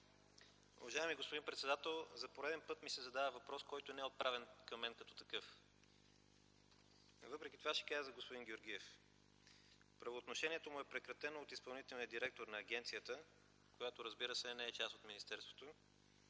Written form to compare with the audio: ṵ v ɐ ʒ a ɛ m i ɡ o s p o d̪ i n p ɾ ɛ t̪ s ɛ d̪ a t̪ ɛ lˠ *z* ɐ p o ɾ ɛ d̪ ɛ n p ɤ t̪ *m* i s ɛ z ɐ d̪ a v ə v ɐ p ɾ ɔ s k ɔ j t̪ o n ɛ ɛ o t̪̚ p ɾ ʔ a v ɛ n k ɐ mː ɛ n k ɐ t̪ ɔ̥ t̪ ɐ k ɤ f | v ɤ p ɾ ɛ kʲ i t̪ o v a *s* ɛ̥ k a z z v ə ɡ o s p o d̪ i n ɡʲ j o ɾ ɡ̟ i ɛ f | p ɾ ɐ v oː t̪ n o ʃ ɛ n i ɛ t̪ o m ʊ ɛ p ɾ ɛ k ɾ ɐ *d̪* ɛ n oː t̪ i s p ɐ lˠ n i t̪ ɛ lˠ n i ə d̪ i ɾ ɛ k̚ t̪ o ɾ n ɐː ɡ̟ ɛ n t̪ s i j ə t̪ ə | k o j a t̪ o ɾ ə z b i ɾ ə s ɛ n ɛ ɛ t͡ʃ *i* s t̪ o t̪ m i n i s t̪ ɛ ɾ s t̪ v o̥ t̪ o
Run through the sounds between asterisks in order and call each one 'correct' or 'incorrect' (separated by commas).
correct, correct, incorrect, incorrect, incorrect